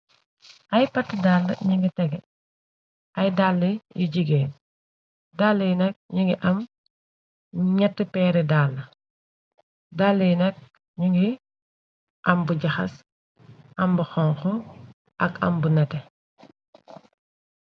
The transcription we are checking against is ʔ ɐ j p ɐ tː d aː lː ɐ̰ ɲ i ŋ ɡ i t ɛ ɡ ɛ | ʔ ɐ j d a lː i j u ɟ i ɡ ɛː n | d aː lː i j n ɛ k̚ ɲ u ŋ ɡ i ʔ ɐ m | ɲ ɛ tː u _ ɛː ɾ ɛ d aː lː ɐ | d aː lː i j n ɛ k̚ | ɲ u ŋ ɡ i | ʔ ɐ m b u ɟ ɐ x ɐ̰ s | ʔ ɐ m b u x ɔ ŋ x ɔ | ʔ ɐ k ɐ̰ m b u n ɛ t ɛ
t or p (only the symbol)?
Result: p